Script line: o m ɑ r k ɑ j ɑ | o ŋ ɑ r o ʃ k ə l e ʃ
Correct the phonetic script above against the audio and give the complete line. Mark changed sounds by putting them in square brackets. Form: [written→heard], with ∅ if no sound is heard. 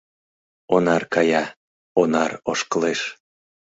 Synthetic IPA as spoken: o [m→n] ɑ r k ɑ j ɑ | o [ŋ→n] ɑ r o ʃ k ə l e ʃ